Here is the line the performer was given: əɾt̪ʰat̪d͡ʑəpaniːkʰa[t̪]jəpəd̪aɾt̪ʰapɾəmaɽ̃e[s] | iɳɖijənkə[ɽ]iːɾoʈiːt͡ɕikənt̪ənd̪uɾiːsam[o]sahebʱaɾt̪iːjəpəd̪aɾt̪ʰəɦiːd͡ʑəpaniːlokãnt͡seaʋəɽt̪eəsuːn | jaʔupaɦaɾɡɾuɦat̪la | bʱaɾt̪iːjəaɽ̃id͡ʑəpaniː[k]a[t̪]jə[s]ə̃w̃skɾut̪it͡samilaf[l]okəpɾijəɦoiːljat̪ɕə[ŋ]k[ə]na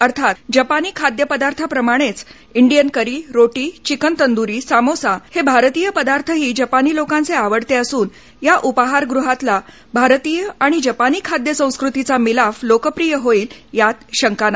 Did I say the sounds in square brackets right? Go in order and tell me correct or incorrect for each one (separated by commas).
incorrect, incorrect, incorrect, correct, incorrect, incorrect, correct, correct, correct, incorrect